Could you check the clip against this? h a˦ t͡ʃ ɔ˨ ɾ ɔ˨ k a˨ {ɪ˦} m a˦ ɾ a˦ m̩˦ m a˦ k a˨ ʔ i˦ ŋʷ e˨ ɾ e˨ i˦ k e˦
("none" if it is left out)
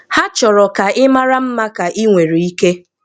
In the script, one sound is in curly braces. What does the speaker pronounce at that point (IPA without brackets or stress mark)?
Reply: ɪ˦